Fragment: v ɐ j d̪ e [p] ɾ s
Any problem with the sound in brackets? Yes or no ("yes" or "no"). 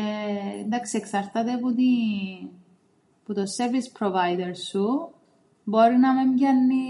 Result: yes